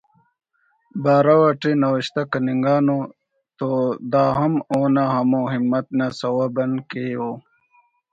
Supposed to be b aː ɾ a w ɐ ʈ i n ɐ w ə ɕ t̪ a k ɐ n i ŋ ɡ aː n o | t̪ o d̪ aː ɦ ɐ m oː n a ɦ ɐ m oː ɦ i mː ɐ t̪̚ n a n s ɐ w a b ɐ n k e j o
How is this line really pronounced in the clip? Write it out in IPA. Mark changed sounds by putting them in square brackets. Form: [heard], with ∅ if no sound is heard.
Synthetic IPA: b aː ɾ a w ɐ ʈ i n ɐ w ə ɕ t̪ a k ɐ n i ŋ ɡ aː n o | t̪ o d̪ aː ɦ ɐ m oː n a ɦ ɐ m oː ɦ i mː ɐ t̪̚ n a [∅] s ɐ w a b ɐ n k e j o